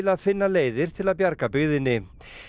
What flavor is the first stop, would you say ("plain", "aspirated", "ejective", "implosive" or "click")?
aspirated